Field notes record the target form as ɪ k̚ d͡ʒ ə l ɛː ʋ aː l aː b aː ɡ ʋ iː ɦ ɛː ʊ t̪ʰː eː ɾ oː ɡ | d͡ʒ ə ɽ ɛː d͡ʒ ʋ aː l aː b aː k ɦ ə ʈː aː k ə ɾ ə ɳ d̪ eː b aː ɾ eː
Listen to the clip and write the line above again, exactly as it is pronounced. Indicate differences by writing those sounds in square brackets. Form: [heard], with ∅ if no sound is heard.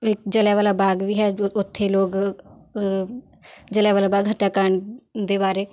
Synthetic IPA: ɪ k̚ d͡ʒ ə l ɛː ʋ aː l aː b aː ɡ ʋ iː ɦ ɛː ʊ t̪ʰː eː [l] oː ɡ | d͡ʒ ə [l] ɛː [∅] ʋ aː l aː b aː [ɡ] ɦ ə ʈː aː k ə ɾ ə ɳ d̪ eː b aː ɾ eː